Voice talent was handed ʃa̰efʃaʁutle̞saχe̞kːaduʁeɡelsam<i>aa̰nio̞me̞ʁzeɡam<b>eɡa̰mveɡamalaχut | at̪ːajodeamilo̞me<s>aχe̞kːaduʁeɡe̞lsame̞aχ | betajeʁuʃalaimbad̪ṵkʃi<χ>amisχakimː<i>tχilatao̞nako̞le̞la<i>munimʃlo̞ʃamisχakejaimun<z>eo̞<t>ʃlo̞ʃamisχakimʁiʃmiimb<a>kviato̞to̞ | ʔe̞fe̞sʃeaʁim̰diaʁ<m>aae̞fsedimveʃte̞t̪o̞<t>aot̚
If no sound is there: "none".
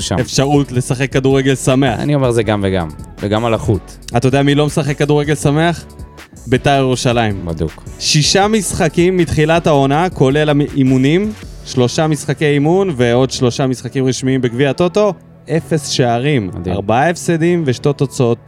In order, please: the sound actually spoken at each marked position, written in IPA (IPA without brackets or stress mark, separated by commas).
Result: e, v, s, ʃ, i, i, v, d, e, b, t͡s